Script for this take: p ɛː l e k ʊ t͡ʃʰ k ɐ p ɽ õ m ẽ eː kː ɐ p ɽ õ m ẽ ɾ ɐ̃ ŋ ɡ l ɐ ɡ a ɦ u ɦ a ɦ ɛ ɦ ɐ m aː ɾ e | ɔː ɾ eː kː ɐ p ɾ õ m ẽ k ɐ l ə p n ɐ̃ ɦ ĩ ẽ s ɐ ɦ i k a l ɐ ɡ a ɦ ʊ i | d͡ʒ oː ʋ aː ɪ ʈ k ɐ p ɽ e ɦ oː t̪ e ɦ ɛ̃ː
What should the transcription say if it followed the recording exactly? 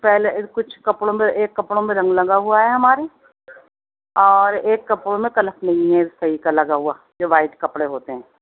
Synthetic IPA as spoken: p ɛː l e k ʊ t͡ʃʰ k ɐ p ɽ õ m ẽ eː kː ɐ p ɽ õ m ẽ ɾ ɐ̃ ŋ ɡ l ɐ ɡ a ɦ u a ɦ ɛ ɦ ɐ m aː ɾ e | ɔː ɾ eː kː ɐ p ɽ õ m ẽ k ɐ l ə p n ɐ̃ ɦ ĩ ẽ s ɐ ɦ i k a l ɐ ɡ a ɦ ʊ a | d͡ʒ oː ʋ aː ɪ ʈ k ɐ p ɽ e ɦ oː t̪ e ɦ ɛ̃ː

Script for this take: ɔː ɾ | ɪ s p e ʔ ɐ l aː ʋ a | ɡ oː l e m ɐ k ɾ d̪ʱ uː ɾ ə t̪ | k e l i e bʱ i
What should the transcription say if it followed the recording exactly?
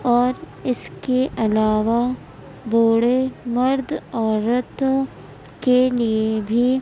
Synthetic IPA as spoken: ɔː ɾ | ɪ s k e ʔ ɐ l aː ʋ a | b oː ɽ e m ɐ ɾ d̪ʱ ɔː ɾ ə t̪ | k e l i e bʱ i

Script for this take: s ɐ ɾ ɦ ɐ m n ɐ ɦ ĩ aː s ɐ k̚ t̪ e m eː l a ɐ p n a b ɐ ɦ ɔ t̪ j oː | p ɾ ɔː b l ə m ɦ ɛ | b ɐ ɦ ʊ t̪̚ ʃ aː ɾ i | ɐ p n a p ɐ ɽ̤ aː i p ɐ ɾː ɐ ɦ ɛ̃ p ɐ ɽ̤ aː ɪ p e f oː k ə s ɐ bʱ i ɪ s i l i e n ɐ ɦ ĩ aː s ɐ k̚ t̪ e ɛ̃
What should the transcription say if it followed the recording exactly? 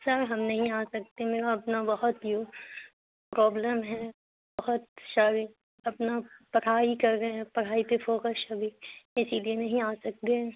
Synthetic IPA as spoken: s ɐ ɾ ɦ ɐ m n ɐ ɦ ĩ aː s ɐ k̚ t̪ e m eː ɾ a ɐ p n a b ɐ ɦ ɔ t̪ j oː | p ɾ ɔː b l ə m ɦ ɛ | b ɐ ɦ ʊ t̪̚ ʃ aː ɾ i | ɐ p n a p ɐ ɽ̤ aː i k ɐ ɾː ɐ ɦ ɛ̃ p ɐ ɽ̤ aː i p e f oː k ə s ɐ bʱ i ɪ s i l i e n ɐ ɦ ĩ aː s ɐ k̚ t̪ e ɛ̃

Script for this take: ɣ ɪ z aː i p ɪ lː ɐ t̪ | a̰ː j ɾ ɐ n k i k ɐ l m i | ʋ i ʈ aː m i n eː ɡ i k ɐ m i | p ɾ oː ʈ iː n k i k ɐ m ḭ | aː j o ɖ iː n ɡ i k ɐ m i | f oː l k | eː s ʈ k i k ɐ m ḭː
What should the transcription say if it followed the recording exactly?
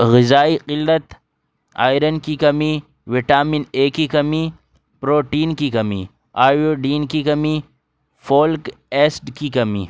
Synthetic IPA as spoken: ɣ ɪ z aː i q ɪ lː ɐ t̪ | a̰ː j ɾ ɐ n k i k ɐ m i | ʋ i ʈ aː m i n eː k i k ɐ m i | p ɾ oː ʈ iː n k i k ɐ m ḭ | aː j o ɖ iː n k i k ɐ m i | f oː l k | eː s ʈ k i k ɐ m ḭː

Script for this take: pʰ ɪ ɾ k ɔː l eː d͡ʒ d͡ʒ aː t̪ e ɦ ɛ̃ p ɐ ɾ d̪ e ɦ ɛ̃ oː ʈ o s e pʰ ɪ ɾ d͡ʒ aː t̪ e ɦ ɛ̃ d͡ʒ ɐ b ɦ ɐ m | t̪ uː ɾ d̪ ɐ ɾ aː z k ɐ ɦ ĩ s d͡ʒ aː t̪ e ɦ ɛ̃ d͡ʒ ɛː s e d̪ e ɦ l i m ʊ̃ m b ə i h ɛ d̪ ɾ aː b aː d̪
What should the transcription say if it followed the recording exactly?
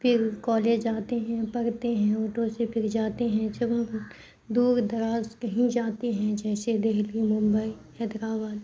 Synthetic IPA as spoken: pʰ ɪ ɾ k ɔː l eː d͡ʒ d͡ʒ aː t̪ e ɦ ɛ̃ p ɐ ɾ t̪ e ɦ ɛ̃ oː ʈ o s e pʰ ɪ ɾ d͡ʒ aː t̪ e ɦ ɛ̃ d͡ʒ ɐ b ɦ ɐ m | d̪ uː ɾ d̪ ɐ ɾ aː z k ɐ ɦ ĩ d͡ʒ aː t̪ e ɦ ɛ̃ d͡ʒ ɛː s e d̪ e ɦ l i m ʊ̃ m b ə i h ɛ d̪ ɾ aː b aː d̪

